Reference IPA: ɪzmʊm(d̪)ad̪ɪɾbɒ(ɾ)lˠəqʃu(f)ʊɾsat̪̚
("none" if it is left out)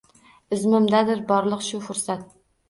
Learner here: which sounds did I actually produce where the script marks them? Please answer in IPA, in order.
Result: d̪, ɾ, f

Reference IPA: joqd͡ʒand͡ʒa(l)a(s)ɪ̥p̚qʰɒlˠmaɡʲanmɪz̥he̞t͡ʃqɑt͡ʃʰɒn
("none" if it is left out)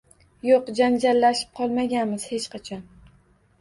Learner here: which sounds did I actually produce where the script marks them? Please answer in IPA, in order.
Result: lː, ʃ

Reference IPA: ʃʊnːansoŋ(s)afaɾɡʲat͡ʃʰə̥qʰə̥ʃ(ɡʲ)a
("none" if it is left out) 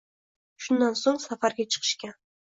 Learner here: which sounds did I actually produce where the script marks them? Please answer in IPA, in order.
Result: s, kʲ

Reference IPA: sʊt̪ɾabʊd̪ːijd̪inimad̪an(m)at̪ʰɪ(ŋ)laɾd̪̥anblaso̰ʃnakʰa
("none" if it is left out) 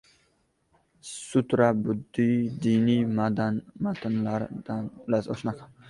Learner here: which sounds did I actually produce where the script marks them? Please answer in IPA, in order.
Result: m, n

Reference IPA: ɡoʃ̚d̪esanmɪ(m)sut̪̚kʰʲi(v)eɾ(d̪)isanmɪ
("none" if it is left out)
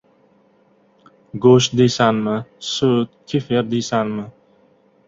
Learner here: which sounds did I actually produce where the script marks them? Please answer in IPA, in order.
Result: none, f, d̪

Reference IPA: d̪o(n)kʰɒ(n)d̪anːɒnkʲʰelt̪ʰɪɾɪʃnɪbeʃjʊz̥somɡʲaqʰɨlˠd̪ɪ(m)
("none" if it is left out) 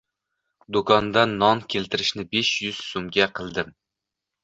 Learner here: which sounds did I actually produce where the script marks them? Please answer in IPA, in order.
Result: none, n, m

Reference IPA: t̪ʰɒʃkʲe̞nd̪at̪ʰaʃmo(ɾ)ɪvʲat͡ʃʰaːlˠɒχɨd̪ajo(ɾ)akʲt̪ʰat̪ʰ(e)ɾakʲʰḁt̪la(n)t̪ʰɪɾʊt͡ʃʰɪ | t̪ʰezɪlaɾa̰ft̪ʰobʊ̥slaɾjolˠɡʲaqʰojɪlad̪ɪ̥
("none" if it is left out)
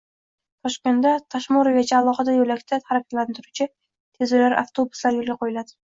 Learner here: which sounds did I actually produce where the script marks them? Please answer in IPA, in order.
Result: ɾ, l, a, n

